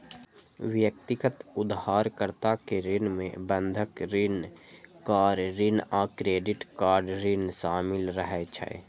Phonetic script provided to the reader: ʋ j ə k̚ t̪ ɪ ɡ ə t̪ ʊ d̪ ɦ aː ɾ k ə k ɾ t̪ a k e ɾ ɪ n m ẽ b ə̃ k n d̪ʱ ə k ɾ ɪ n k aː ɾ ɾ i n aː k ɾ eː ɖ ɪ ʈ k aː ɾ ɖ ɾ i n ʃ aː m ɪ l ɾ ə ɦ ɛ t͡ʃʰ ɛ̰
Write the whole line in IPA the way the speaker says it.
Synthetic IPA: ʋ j ə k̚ t̪ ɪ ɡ ə t̪ ʊ d̪ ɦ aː ɾ k ə ɾ t̪ a k e ɾ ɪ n m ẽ b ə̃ n d̪ʱ ə k ɾ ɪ n k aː ɾ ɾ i n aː k ɾ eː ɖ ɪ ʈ k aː ɾ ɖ ɾ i n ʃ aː m ɪ l ɾ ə ɦ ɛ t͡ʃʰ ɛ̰